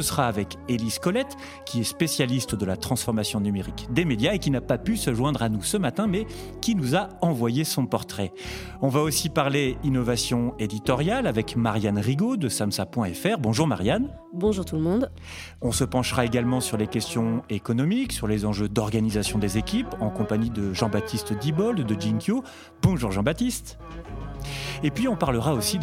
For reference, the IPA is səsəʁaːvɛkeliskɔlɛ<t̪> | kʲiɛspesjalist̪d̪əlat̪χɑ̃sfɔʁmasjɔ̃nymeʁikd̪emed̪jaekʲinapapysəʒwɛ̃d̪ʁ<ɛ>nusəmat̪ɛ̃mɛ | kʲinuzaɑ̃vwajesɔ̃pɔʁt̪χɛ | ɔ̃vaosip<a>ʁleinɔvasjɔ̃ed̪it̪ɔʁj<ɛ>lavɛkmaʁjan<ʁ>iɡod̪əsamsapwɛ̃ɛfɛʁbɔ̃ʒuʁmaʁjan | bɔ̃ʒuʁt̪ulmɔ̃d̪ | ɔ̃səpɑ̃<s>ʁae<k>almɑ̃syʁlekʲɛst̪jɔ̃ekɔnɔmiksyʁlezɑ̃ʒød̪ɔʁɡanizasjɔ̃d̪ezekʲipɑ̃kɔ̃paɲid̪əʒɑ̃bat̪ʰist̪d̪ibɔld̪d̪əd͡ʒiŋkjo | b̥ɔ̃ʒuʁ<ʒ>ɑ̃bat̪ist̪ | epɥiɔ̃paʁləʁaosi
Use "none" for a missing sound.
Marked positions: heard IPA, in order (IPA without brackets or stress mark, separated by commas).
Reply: t̪, a, a, a, ʁ, ʃ, ɡ, ʒ